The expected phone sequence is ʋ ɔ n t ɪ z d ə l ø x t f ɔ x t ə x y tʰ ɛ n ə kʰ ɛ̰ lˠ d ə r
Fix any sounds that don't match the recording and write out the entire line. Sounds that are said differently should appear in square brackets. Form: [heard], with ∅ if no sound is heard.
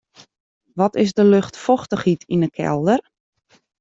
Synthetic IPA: ʋ ɔ [∅] t ɪ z d ə l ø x t f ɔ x t ə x [i] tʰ [i] n ə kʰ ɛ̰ lˠ d ə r